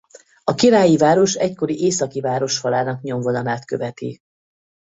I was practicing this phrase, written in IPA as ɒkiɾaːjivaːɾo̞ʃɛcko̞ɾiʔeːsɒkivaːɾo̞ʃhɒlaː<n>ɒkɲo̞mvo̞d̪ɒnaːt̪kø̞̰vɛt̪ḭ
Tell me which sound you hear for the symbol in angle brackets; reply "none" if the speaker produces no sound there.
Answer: n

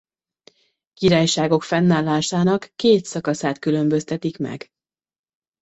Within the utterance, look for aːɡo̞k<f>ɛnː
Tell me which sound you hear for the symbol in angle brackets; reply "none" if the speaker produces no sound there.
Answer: f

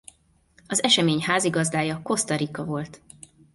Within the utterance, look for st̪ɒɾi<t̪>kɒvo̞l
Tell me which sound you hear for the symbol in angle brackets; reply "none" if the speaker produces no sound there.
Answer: none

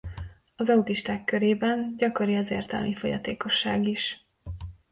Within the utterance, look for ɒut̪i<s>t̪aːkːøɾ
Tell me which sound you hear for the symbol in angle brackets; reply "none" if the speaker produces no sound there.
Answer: ʃ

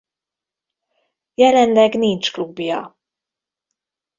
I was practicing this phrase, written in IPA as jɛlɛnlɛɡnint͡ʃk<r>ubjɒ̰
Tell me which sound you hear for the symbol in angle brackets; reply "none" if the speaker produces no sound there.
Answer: l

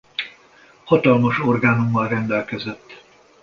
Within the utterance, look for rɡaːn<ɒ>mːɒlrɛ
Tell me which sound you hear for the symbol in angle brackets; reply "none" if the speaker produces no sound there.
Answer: u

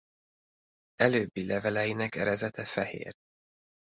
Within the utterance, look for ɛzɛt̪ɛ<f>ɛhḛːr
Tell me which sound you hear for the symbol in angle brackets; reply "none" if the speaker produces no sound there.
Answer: f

